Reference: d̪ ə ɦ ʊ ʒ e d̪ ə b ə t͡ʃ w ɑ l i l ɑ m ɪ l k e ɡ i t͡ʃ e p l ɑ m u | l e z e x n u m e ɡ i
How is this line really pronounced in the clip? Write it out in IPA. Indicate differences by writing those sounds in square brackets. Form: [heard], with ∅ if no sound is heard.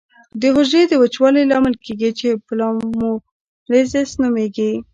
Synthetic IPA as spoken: d̪ ə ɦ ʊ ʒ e d̪ ə [w] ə t͡ʃ w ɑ l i l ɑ m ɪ l k e ɡ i t͡ʃ e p l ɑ m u | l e z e [s] n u m e ɡ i